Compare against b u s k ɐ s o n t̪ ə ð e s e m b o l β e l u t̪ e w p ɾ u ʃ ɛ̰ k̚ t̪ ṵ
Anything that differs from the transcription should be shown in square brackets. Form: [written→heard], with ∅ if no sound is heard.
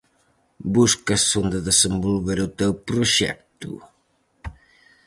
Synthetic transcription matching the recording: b u s k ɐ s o n [t̪→d̪] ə ð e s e m b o l β e [l→ɾ] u t̪ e w p ɾ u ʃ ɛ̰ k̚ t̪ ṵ